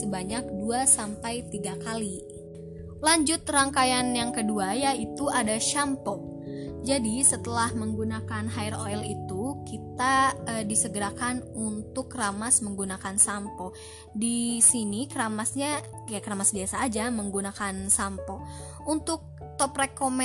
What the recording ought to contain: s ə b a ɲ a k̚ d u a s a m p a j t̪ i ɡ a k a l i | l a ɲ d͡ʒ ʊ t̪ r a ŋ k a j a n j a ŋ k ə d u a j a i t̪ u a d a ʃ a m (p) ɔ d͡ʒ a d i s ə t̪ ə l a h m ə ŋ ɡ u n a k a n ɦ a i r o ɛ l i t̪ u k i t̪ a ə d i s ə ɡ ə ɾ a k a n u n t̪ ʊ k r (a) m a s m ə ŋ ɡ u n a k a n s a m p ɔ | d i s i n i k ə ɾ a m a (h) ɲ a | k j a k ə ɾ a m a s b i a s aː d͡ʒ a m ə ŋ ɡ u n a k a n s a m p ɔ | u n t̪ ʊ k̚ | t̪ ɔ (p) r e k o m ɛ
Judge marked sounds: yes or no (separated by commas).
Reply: yes, yes, no, yes